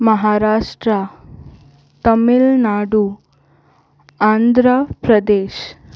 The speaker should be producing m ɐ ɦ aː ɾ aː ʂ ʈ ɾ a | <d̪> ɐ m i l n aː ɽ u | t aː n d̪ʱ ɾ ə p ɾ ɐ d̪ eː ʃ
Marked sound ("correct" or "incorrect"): incorrect